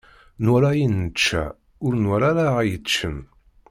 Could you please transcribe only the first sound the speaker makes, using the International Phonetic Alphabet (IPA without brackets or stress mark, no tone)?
n